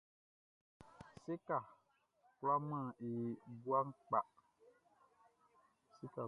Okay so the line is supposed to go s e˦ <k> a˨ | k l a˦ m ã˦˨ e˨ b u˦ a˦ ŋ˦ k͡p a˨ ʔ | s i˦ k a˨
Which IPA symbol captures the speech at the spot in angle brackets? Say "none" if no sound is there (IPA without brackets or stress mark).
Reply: k